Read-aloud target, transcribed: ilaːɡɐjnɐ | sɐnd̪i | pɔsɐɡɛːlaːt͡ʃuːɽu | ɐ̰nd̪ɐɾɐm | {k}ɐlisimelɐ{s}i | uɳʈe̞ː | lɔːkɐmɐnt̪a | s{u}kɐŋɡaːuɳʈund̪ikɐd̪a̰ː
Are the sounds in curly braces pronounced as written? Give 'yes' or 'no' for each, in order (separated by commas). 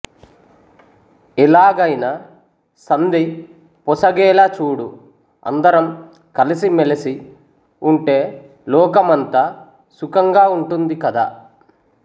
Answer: yes, yes, yes